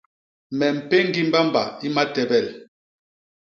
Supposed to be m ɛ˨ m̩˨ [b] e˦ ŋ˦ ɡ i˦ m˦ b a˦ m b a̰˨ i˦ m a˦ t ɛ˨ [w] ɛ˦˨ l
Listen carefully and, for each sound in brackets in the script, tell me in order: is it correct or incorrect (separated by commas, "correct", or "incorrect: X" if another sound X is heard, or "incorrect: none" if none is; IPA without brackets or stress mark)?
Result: incorrect: p, incorrect: b